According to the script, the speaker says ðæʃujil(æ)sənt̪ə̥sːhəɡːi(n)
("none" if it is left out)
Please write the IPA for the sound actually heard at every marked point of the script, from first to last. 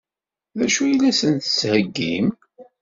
æ, m

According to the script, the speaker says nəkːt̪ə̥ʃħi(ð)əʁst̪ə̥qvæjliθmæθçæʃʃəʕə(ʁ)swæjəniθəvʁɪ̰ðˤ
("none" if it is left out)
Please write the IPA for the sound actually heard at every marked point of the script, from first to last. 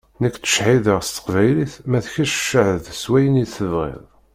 ð, ð

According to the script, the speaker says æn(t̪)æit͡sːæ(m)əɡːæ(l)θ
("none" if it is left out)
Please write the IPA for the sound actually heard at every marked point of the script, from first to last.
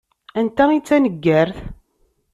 t̪, n, ɾ

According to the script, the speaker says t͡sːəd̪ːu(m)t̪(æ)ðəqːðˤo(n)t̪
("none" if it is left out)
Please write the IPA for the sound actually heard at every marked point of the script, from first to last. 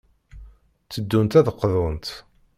n, æ, n

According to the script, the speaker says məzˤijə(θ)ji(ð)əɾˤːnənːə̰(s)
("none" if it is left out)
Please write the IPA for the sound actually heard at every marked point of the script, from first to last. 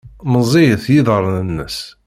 θ, ð, s

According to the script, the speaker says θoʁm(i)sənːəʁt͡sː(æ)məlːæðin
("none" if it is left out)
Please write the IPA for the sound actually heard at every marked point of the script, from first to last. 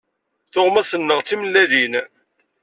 æ, i

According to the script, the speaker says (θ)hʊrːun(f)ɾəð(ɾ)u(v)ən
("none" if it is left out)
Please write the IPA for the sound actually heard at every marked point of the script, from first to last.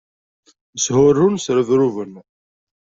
s, s, ɾ, v

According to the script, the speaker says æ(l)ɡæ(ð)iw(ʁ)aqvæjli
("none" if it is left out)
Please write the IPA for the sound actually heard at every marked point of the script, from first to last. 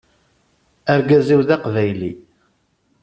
ɾ, z, ð

